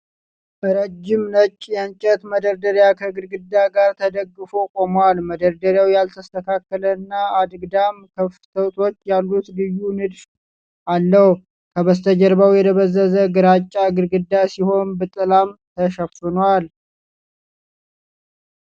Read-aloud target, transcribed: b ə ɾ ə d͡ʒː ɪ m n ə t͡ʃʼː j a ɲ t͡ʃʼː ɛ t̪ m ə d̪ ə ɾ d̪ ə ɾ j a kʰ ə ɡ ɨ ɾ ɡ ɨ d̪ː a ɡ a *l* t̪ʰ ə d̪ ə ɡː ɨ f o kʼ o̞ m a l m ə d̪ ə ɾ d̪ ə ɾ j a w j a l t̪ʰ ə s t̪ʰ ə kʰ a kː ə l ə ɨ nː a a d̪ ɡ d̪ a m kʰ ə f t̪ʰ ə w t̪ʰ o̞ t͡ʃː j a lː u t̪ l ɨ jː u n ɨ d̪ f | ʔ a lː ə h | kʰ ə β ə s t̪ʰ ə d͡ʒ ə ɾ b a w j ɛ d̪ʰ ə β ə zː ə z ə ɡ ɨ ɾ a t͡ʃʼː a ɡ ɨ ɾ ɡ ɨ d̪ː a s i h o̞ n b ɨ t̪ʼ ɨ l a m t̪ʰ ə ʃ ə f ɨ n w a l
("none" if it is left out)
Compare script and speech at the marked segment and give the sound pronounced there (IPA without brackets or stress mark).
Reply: ɾ